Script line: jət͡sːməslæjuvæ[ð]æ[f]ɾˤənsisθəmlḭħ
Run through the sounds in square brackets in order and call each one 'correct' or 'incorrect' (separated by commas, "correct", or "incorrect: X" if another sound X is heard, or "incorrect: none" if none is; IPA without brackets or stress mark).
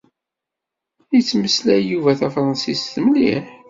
incorrect: θ, correct